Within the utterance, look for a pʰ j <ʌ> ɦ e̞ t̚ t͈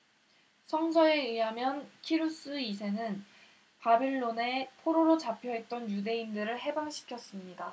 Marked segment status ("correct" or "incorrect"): correct